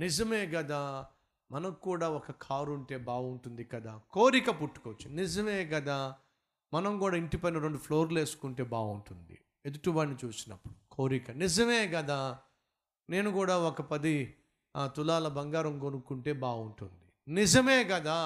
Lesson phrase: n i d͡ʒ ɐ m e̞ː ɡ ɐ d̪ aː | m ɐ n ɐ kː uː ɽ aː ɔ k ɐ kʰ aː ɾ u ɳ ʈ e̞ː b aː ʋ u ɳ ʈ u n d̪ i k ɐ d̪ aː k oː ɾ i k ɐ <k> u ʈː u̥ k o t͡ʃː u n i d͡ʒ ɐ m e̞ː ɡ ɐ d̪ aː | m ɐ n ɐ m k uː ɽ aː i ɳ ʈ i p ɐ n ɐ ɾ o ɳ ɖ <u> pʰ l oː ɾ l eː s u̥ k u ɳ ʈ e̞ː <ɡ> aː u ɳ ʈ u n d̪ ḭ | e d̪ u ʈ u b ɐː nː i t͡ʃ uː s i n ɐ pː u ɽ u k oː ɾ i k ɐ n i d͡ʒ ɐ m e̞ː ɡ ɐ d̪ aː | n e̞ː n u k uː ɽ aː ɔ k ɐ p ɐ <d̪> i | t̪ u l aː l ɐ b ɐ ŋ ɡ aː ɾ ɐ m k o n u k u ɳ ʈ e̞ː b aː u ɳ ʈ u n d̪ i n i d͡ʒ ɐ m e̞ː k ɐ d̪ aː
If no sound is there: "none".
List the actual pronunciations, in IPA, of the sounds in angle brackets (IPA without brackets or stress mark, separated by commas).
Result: p, u, b, d̪